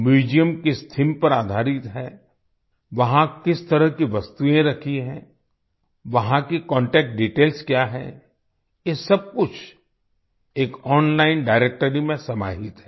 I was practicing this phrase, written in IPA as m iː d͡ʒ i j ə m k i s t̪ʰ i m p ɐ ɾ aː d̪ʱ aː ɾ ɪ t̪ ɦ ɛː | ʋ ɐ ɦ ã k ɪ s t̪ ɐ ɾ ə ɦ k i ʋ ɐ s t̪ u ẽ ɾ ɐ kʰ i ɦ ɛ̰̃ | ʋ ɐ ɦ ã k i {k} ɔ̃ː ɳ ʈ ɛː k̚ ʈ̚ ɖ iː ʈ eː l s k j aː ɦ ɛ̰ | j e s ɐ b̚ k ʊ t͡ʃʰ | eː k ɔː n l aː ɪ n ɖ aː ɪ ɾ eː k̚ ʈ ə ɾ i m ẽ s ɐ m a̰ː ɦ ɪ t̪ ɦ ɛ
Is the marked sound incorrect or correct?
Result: correct